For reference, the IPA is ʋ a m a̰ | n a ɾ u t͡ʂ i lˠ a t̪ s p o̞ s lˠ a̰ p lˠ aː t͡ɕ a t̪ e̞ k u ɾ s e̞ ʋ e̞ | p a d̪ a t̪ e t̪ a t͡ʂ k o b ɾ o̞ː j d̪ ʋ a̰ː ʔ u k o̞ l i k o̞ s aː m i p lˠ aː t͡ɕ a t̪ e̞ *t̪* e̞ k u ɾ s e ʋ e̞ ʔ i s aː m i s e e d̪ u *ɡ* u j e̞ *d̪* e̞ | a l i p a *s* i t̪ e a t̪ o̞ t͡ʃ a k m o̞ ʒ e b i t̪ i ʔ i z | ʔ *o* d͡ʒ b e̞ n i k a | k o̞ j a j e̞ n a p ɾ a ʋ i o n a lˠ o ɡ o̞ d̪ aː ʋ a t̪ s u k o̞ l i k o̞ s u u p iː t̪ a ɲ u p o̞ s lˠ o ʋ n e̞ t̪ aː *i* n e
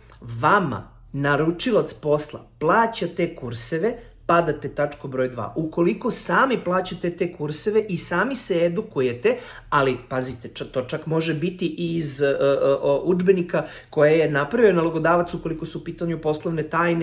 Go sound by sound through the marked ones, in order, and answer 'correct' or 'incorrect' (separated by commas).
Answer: correct, incorrect, incorrect, incorrect, incorrect, incorrect